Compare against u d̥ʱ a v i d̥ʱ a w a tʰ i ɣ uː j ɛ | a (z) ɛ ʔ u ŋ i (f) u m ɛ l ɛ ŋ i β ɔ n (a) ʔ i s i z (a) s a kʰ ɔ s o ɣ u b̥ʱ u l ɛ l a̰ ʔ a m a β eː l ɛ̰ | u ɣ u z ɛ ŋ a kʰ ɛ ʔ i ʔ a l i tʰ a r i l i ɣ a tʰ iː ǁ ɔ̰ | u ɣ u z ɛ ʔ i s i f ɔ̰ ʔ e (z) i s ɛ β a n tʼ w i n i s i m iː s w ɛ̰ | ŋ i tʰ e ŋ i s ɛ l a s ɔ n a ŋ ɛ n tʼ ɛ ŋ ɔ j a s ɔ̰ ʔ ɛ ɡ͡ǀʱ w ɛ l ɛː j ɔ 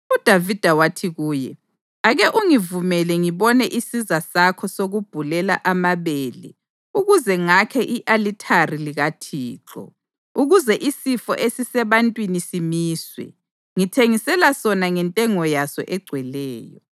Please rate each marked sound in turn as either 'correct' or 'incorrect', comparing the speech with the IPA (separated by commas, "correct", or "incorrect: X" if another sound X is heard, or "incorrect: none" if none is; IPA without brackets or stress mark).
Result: incorrect: ɣ, incorrect: v, incorrect: ɛ, correct, incorrect: s